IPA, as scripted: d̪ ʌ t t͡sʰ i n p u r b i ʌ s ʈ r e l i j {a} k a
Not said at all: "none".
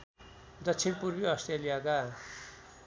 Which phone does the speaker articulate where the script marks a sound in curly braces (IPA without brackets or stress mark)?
a